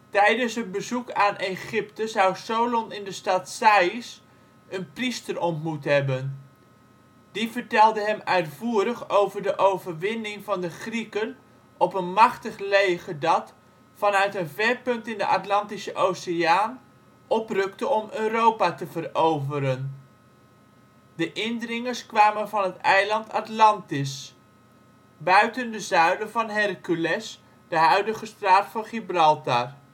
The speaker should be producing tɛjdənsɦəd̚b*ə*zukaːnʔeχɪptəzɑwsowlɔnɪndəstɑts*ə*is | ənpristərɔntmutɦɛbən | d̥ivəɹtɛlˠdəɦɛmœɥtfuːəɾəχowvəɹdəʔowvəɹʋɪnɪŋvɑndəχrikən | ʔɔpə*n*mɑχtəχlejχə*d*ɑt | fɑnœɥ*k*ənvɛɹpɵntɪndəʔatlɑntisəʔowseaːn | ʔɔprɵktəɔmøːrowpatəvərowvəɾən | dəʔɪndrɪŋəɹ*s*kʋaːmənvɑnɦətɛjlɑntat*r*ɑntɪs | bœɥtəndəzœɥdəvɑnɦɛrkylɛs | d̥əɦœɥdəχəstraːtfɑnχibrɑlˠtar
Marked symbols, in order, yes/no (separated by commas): yes, no, yes, yes, no, yes, no